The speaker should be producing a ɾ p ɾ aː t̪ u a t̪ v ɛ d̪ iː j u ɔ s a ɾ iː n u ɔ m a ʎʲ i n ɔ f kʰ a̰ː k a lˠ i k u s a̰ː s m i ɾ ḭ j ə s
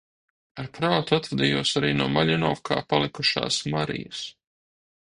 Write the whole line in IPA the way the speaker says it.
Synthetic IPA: a ɾ p ɾ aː t̪ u a t̪ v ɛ d̪ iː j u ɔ s a ɾ iː n u ɔ m a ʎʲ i n ɔ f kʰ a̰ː p a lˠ i k u ʃ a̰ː s m a ɾ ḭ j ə s